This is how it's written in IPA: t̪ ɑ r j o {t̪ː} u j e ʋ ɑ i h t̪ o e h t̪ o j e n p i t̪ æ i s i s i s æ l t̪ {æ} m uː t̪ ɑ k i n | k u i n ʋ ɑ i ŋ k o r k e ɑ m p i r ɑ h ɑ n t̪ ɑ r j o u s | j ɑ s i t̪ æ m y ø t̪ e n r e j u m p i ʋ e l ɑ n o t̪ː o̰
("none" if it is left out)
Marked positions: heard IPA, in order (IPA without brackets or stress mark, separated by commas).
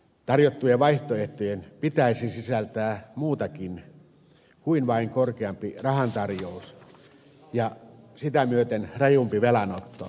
t̪ː, æː